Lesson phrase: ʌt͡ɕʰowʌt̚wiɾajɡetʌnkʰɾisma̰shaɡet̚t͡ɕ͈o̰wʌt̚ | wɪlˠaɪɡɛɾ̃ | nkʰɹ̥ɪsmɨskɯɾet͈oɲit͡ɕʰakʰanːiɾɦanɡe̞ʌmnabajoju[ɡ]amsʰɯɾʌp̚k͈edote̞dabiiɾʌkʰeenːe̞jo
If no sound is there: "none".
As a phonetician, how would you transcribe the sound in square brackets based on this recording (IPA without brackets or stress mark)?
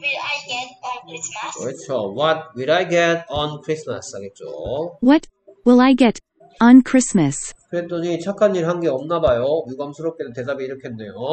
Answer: ɡ